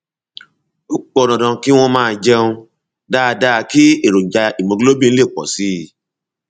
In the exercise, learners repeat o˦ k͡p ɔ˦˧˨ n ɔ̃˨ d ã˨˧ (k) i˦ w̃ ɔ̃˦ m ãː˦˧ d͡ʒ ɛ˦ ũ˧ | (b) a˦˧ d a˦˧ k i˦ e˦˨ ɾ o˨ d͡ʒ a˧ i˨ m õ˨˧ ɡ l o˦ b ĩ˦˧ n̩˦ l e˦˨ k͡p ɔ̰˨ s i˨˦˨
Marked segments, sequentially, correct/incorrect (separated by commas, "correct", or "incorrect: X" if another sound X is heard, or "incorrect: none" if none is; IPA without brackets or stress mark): correct, incorrect: d